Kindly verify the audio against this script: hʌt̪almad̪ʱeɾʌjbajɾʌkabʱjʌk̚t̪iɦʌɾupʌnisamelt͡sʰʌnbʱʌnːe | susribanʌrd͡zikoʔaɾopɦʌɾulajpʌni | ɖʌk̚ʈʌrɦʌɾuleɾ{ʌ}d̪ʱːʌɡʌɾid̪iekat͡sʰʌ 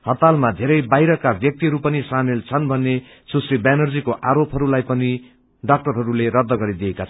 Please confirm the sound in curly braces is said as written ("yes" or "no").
yes